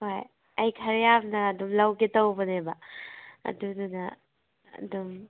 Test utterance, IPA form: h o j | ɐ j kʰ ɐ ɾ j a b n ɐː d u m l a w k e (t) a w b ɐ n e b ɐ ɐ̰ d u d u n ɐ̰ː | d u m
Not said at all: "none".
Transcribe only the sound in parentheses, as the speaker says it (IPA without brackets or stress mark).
t